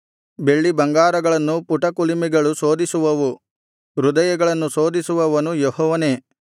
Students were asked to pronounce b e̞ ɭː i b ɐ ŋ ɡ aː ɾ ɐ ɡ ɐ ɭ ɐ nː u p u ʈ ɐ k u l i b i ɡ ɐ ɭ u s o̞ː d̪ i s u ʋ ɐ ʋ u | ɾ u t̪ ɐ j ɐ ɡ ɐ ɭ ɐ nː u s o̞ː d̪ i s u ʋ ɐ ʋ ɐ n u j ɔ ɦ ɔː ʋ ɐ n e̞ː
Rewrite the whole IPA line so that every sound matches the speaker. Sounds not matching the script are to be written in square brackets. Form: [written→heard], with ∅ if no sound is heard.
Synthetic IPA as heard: b e̞ ɭː i b ɐ ŋ ɡ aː ɾ ɐ ɡ ɐ ɭ ɐ nː u p u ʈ ɐ k u l i [b→m] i ɡ ɐ ɭ u s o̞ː d̪ i s u ʋ ɐ ʋ u | ɾ u [t̪→d̪] ɐ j ɐ ɡ ɐ ɭ ɐ nː u s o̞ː d̪ i s u ʋ ɐ ʋ ɐ n u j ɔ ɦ ɔː ʋ ɐ n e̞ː